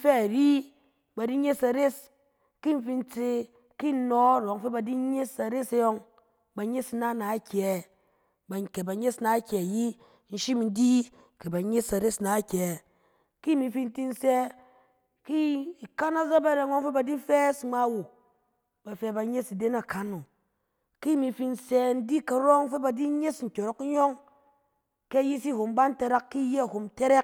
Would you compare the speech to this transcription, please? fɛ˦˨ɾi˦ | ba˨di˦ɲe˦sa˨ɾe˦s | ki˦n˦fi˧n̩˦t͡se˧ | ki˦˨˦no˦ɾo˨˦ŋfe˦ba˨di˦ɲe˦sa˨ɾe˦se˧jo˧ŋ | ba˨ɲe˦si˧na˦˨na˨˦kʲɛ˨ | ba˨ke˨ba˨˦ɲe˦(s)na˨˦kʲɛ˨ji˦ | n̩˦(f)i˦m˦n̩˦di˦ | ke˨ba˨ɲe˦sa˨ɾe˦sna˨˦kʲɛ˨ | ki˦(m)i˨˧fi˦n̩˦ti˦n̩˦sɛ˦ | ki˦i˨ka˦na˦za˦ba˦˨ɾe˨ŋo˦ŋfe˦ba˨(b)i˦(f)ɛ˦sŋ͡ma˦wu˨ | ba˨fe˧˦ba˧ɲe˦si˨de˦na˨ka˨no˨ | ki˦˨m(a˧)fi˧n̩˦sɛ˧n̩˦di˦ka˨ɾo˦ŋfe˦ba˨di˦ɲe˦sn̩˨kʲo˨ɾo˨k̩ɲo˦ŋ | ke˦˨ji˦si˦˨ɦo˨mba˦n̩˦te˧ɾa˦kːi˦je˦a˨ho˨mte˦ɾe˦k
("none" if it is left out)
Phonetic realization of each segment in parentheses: s, ʃ, m, d, f, i˧

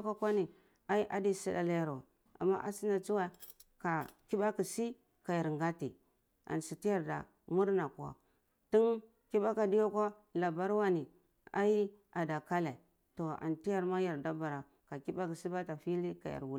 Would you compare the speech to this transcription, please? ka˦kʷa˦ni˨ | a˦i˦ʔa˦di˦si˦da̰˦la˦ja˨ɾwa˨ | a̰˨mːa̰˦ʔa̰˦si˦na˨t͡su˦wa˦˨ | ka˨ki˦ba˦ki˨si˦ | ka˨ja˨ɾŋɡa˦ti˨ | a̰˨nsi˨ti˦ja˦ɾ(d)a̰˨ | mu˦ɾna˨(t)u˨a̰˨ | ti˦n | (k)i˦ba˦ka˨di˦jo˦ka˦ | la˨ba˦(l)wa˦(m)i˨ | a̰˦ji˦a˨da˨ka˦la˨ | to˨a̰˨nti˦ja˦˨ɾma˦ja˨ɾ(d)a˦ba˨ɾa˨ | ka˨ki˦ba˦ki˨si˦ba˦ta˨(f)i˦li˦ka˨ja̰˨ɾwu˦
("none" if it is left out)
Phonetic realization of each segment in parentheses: d, k, k, ɾ, n, d, f

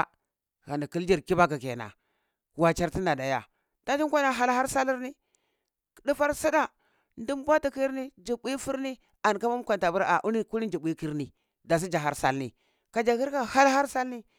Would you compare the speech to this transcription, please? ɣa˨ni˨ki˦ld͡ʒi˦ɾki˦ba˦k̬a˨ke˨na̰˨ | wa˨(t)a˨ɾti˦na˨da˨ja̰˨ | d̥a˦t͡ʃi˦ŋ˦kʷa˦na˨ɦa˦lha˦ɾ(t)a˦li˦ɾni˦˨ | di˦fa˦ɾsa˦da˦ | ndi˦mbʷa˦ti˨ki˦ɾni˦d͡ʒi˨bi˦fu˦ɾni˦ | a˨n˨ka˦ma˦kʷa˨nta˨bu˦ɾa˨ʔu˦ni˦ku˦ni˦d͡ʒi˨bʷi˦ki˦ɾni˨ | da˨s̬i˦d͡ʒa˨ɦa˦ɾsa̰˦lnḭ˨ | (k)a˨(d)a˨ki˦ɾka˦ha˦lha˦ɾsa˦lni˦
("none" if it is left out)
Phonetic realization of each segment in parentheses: t͡ʃ, s, k, d͡ʒ

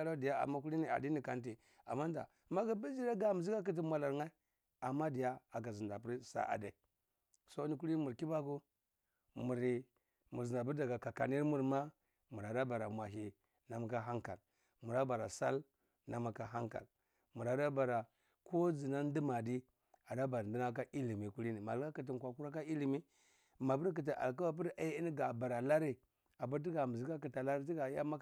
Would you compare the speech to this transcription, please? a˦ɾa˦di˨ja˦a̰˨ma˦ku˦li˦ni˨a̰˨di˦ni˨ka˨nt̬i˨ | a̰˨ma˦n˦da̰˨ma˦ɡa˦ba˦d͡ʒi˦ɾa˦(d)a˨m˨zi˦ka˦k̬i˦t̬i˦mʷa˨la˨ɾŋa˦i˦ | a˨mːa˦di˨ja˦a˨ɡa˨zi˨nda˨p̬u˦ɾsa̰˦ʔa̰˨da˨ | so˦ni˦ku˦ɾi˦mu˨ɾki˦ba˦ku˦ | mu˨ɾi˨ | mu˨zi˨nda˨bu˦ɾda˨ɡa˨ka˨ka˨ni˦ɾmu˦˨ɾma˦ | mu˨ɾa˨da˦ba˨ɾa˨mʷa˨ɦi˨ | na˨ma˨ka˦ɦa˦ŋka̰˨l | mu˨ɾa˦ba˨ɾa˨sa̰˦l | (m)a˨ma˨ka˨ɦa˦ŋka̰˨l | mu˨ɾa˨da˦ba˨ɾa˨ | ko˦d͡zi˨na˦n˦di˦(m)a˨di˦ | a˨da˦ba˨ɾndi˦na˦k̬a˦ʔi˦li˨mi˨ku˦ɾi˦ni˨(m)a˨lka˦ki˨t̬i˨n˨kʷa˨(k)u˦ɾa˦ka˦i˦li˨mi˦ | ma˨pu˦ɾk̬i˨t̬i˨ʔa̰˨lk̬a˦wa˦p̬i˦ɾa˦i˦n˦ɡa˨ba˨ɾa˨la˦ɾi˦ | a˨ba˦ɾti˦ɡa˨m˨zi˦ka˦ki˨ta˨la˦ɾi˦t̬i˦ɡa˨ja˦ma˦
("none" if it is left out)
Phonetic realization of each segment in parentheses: ɡ, n, m, m, k

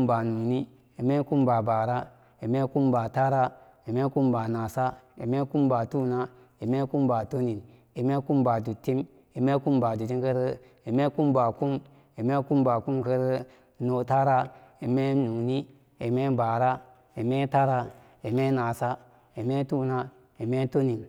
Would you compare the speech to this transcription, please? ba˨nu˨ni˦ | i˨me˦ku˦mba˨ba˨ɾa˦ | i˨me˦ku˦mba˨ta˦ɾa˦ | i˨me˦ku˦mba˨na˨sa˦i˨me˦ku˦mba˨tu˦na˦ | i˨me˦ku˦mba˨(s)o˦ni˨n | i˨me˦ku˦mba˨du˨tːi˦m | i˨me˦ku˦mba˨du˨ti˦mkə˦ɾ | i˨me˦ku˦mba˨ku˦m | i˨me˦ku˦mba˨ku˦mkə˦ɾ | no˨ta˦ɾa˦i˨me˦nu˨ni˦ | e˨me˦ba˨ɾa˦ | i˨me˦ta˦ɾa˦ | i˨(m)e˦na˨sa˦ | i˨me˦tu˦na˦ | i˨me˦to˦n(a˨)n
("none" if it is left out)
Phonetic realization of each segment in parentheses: t, m, i˨

